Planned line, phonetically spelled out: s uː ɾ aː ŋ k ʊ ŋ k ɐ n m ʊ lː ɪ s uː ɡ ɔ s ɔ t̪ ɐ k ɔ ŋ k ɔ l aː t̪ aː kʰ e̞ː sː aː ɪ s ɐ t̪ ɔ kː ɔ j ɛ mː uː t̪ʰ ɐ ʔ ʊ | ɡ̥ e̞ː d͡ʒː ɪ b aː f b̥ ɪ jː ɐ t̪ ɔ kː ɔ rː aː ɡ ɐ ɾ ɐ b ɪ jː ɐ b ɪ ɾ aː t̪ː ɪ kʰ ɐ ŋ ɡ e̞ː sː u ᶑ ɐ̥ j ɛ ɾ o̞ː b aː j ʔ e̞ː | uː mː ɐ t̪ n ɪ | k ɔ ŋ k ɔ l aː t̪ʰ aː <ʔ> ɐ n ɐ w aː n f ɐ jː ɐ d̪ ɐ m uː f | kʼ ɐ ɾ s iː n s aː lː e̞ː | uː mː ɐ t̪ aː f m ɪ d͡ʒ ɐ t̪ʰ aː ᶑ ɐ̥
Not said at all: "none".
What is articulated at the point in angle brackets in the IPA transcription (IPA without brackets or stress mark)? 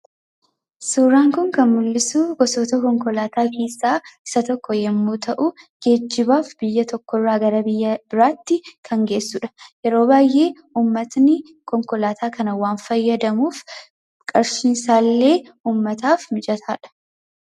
k